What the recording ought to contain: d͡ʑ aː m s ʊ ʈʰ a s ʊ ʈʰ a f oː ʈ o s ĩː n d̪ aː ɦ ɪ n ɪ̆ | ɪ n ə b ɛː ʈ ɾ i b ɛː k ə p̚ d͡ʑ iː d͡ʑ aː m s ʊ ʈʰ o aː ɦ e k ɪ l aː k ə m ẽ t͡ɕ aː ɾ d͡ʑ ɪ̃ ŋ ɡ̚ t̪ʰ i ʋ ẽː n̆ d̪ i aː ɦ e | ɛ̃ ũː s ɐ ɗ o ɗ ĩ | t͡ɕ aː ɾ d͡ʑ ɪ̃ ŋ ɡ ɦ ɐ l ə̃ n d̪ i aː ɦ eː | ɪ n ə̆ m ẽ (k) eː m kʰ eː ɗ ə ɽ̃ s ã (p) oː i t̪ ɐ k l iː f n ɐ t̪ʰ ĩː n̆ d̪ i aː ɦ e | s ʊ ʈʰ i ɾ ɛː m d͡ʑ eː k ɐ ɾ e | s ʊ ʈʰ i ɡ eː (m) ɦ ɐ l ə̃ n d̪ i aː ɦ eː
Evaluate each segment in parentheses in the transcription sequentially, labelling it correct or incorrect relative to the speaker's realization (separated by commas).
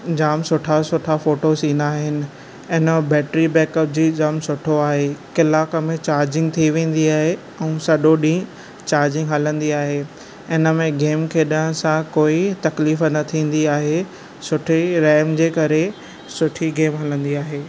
incorrect, incorrect, correct